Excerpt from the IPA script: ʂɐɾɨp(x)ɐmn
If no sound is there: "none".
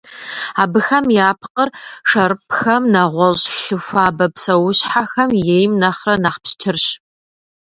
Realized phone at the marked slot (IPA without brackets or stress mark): x